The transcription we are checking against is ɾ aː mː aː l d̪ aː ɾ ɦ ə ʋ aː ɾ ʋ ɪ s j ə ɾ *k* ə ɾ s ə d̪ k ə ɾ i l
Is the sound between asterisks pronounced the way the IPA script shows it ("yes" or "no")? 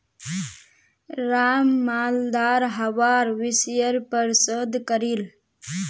no